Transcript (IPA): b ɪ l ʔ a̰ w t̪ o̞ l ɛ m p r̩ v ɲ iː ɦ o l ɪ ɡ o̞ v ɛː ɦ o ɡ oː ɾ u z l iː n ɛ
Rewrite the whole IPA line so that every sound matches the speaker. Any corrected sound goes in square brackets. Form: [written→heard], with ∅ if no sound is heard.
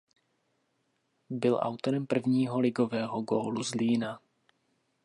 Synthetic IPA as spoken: b ɪ l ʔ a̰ w t̪ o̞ [l→ɾ] ɛ m p r̩ v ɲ iː ɦ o l ɪ ɡ o̞ v ɛː ɦ o ɡ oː [ɾ→l] u z l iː n [ɛ→a]